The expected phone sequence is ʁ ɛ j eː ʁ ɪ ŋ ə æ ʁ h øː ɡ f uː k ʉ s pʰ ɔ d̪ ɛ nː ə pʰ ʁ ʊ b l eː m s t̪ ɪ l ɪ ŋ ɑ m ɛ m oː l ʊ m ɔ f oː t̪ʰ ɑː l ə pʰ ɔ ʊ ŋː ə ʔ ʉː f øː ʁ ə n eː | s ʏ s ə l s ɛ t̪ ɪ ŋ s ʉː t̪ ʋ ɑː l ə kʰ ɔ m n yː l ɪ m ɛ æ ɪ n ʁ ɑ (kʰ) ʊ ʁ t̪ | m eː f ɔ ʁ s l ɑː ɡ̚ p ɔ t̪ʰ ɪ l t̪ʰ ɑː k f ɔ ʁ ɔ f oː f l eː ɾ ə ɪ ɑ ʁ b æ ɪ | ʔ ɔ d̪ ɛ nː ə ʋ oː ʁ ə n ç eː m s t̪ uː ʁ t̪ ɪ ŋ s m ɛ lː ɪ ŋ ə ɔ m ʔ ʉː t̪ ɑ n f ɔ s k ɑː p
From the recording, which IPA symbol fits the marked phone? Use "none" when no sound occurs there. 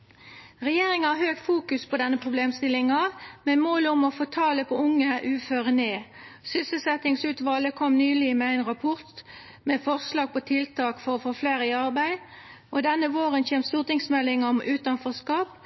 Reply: pʰ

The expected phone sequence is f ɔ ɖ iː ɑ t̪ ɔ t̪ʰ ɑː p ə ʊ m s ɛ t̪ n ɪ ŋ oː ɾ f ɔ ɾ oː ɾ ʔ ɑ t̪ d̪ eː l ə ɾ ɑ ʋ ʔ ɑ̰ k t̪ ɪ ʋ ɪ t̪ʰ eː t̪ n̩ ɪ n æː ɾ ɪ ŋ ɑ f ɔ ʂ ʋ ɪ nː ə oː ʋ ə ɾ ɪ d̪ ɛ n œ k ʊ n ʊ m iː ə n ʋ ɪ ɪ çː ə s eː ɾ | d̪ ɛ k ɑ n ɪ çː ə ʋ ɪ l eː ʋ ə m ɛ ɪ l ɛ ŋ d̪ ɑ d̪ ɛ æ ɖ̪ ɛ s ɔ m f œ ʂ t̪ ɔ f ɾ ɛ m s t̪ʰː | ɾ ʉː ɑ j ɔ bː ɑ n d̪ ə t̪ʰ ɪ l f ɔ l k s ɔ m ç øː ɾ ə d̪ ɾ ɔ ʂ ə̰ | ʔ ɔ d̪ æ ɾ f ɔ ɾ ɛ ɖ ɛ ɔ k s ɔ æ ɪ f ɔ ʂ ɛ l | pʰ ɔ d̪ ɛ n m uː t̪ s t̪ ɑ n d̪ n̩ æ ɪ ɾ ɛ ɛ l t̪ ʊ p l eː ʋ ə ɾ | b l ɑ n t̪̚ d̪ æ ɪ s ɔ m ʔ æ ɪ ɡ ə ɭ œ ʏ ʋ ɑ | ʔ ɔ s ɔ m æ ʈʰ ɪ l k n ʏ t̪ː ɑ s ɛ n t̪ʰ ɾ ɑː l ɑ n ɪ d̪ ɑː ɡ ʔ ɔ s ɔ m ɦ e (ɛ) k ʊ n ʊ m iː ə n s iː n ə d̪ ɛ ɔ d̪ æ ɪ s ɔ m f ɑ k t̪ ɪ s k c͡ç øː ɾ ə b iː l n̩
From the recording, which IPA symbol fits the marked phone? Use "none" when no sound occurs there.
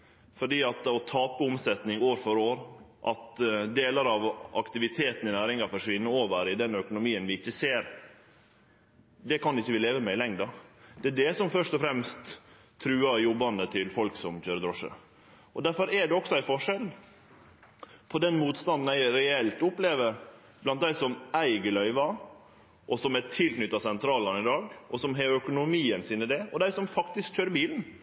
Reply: œ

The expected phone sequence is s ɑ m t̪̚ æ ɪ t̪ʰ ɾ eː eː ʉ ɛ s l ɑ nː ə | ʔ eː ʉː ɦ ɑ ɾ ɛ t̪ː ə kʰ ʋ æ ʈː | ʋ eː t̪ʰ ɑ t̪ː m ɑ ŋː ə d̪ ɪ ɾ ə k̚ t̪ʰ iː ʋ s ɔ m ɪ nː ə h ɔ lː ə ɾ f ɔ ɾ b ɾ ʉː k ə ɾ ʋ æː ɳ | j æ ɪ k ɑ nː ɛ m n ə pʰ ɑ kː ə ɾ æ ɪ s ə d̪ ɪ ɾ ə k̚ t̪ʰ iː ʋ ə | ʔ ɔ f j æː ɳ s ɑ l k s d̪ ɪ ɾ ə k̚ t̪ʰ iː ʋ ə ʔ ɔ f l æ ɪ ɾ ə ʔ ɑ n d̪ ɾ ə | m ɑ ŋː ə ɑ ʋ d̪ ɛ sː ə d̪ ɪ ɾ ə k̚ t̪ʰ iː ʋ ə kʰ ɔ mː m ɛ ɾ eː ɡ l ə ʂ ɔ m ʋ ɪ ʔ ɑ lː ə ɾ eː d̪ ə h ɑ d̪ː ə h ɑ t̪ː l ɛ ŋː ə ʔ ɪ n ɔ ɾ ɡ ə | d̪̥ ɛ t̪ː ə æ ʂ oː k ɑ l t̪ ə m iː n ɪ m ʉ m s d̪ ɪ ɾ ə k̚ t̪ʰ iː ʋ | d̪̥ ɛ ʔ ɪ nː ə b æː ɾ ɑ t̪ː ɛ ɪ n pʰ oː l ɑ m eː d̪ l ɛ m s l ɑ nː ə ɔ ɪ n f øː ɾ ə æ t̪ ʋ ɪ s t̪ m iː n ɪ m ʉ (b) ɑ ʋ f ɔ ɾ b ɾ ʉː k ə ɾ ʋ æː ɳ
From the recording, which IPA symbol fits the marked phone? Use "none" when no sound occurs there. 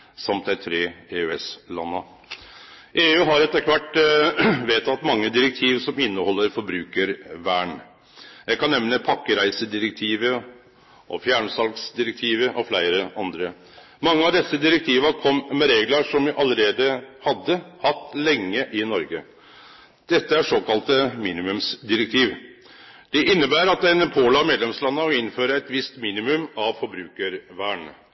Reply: m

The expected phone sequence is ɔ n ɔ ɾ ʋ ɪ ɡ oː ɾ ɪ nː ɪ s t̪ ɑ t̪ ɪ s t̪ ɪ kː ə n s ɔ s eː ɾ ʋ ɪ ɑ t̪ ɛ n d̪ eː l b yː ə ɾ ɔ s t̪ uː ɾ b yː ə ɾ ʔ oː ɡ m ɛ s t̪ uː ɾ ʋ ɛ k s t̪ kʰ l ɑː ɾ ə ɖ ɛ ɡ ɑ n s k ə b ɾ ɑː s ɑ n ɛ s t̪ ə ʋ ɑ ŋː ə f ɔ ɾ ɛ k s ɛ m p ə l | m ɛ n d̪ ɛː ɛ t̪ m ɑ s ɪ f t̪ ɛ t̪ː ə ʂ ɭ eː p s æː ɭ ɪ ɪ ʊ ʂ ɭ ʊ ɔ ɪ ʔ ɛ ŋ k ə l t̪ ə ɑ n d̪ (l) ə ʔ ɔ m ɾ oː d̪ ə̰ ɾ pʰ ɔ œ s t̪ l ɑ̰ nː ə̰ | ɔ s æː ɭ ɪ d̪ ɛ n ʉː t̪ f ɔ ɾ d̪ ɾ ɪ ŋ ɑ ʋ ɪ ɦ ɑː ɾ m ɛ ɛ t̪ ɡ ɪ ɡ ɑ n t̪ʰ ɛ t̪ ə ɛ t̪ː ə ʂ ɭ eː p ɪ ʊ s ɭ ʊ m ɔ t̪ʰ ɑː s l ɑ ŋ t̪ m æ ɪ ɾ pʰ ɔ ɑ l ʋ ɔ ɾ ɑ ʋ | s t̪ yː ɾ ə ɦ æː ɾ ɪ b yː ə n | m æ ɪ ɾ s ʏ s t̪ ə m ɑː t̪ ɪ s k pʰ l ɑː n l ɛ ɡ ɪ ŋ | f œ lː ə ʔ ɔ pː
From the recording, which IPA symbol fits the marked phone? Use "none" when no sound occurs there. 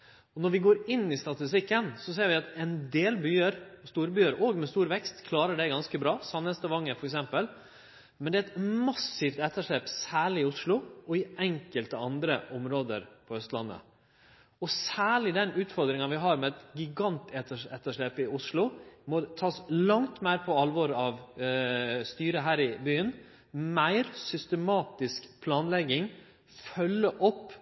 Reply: ɾ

